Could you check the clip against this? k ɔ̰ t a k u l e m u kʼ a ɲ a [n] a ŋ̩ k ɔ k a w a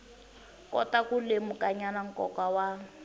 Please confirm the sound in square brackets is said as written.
yes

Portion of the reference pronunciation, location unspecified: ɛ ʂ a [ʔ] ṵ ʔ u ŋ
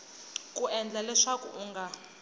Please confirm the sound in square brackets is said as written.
no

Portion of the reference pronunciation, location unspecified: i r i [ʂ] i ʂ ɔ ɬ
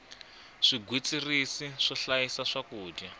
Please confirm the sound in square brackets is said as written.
no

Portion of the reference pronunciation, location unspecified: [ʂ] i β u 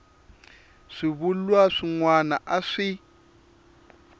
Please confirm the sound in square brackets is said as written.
yes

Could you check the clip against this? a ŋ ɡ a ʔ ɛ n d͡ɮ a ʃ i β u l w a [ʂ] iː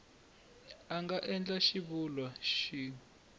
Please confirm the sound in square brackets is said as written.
no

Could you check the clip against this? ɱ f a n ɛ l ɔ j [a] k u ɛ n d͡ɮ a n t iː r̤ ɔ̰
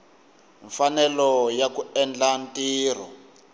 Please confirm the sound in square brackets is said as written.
yes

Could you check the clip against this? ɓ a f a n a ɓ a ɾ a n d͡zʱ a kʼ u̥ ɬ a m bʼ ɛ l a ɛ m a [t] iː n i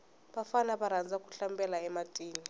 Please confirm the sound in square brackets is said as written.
no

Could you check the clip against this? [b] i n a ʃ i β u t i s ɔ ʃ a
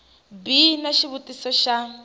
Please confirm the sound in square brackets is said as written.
yes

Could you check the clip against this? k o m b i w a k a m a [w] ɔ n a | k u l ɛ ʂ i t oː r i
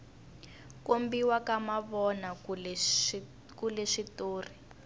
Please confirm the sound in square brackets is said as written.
no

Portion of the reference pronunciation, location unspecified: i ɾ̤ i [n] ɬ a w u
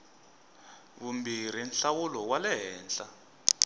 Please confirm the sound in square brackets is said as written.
yes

